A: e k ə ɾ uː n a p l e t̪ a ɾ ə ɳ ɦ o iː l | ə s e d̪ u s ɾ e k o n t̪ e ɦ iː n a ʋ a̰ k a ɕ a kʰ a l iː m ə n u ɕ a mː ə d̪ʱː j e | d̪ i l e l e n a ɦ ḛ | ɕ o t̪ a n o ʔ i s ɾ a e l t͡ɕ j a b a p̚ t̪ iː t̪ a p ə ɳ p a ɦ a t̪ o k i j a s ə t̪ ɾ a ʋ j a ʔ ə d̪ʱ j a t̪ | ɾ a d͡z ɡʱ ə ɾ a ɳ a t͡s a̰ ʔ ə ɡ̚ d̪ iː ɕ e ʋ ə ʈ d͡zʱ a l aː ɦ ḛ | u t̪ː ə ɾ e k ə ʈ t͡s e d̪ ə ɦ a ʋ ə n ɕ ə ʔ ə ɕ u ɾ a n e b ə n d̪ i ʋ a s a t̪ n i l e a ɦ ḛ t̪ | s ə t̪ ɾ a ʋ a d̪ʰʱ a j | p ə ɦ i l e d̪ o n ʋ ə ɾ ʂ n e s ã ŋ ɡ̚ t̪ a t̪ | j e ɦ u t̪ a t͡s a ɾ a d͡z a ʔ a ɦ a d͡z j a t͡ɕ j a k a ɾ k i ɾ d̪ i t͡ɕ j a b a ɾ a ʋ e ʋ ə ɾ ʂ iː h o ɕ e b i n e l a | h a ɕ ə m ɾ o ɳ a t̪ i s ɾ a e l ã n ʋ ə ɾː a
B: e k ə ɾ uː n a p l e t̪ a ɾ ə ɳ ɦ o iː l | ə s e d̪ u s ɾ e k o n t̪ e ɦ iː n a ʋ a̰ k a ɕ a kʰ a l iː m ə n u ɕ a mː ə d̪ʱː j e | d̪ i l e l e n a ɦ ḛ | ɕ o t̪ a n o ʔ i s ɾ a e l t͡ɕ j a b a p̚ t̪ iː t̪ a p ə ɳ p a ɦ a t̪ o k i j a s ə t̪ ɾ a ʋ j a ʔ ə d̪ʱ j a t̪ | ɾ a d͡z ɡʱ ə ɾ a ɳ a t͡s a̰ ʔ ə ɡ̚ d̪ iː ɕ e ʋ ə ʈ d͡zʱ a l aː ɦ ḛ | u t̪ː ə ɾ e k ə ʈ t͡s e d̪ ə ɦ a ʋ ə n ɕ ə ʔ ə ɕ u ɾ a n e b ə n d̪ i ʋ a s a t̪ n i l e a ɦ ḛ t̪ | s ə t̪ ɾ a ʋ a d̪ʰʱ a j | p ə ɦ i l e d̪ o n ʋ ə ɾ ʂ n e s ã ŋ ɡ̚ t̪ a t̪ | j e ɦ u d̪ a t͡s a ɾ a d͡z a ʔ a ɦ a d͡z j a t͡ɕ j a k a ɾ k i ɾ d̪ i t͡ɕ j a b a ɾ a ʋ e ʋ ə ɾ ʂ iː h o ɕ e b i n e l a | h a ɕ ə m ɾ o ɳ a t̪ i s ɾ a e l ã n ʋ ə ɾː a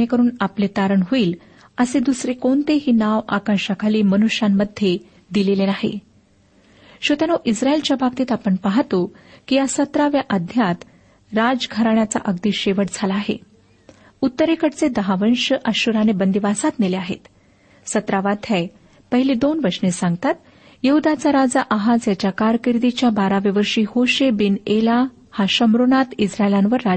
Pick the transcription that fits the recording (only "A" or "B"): B